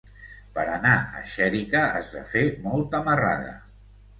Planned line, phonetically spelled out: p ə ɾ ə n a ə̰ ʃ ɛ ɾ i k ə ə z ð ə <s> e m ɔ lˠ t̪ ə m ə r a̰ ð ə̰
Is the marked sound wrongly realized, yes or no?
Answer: yes